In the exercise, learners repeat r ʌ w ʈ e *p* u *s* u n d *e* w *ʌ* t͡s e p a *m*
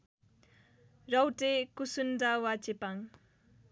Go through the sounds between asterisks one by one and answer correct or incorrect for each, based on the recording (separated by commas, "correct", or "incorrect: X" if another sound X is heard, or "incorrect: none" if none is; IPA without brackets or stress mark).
incorrect: k, correct, incorrect: a, incorrect: a, incorrect: ŋ